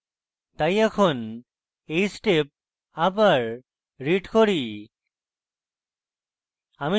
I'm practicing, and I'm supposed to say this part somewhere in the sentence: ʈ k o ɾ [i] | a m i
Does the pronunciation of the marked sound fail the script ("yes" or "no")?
no